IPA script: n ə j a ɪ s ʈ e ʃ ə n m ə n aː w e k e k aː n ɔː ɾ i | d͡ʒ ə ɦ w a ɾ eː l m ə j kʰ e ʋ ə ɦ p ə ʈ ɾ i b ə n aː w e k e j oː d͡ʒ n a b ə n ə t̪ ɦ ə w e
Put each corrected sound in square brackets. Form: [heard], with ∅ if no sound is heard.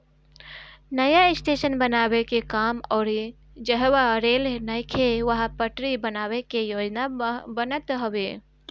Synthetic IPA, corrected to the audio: n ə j a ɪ s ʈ e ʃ ə n [b] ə n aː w e k e k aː [m] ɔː ɾ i | d͡ʒ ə ɦ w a ɾ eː l [n] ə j kʰ e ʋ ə ɦ p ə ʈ ɾ i b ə n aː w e k e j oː d͡ʒ n a b ə n ə t̪ ɦ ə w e